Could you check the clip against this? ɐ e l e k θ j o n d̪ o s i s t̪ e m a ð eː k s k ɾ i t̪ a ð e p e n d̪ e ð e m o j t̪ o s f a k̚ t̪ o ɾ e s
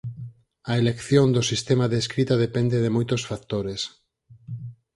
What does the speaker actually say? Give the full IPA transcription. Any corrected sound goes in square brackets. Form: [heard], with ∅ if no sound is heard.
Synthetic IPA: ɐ e l e k θ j o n d̪ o s i s t̪ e m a ð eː [∅] s k ɾ i t̪ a ð e p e n d̪ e ð e m o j t̪ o s f a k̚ t̪ o ɾ e s